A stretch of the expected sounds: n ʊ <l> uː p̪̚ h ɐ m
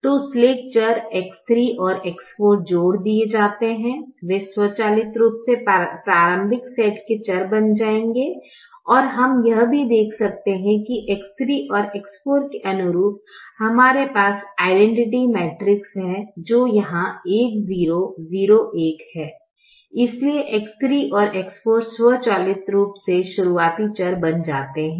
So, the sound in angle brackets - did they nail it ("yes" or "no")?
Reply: no